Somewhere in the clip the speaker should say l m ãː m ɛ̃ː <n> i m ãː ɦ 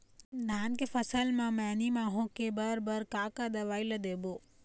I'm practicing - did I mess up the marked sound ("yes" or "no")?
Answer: no